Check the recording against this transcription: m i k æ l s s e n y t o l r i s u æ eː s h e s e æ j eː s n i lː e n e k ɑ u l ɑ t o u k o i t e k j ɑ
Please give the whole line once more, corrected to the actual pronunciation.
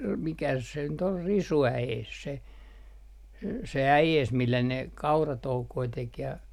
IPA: m i k æ s s e n y t o l r i s u æ eː s s e s e æ j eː s m i lː æ n e k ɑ u r ɑ t o u k o i t e k j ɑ